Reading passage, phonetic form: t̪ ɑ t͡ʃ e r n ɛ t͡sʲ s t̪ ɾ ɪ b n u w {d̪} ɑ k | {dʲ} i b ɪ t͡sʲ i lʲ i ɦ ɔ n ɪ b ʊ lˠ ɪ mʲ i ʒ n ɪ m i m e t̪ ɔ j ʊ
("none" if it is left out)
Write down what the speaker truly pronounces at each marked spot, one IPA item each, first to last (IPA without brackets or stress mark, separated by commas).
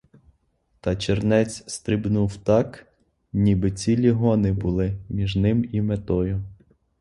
t̪, nʲ